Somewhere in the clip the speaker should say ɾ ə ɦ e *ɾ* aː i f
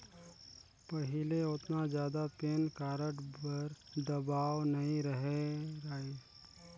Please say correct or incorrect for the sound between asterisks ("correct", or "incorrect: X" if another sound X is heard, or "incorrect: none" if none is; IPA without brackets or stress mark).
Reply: correct